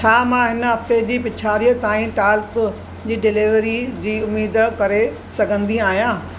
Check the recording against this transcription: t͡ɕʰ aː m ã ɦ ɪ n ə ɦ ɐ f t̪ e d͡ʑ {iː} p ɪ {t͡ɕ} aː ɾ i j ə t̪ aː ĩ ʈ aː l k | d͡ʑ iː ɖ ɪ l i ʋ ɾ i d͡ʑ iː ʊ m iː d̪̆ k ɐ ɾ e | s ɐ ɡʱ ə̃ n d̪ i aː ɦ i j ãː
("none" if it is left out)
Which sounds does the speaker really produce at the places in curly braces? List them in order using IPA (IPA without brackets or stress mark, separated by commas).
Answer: iː, t͡ɕʰ